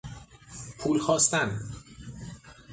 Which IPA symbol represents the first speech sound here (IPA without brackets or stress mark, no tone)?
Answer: pʰ